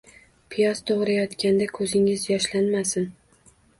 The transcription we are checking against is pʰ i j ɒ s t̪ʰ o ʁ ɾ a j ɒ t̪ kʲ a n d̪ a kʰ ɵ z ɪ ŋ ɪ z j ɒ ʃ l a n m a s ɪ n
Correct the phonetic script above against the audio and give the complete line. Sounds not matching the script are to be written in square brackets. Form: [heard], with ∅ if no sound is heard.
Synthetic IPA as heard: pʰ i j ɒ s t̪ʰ o ʁ ɾ a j ɒ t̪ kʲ a n d̪ a kʰ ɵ z ɪ ŋ ɪ z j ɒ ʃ l a n m a s ɪ n